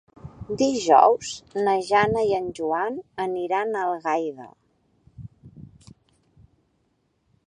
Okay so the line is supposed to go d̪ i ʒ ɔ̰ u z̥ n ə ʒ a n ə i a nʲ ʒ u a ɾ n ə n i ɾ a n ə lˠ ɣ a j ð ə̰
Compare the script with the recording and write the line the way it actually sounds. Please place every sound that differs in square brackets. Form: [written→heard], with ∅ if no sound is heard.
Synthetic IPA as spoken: d̪ i ʒ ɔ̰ [u→w] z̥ n ə ʒ a n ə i [a→ə] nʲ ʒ u a [ɾ→∅] n ə n i ɾ a n ə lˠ ɣ a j ð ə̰